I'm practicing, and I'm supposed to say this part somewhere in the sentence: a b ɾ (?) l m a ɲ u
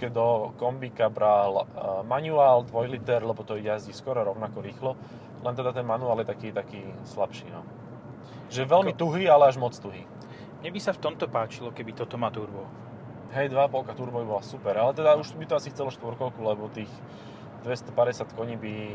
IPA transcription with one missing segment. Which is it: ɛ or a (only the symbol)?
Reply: a